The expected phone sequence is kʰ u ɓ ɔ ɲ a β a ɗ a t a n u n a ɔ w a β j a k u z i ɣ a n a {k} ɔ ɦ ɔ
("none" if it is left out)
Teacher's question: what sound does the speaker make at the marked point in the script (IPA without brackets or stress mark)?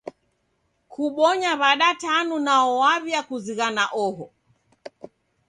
ʔ